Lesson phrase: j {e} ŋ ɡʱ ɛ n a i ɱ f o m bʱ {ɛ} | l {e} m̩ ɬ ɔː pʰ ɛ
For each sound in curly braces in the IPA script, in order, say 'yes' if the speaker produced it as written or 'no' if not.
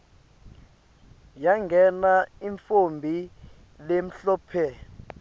no, no, yes

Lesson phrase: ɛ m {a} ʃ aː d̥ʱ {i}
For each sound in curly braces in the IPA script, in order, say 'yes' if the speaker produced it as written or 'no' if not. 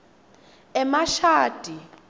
yes, yes

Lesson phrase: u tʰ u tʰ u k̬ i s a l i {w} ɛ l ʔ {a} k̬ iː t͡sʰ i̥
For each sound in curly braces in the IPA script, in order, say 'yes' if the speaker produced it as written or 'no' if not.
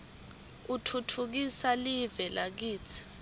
no, yes

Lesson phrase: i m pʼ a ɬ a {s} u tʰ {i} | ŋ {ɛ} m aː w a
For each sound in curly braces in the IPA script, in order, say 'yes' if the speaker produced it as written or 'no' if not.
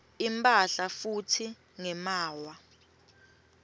no, yes, yes

